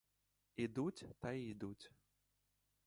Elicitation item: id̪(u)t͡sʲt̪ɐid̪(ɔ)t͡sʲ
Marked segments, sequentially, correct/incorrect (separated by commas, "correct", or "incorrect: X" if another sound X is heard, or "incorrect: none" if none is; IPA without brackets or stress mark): correct, incorrect: u